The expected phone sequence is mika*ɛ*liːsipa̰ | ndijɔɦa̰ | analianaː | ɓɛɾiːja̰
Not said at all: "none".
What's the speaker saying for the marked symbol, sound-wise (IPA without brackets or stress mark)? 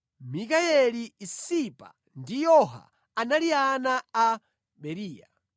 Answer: ɛ